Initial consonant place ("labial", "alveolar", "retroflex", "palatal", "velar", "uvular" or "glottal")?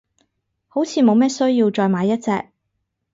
glottal